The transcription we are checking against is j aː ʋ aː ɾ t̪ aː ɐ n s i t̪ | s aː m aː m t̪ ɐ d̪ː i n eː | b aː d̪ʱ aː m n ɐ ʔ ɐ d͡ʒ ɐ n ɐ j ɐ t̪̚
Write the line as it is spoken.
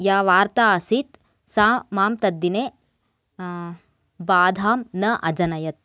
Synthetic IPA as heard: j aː ʋ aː ɾ t̪ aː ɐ s i t̪ | s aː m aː m t̪ ɐ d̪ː i n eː | b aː d̪ʱ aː m n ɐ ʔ ɐ d͡ʒ ɐ n ɐ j ɐ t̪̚